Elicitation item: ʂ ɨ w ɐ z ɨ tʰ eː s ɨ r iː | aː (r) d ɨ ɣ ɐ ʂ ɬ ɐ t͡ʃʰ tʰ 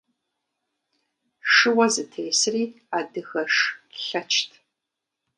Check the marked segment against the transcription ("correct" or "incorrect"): incorrect